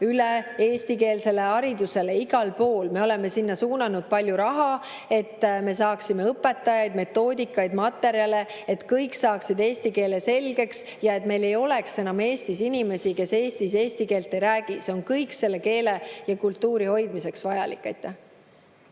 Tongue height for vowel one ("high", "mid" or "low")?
high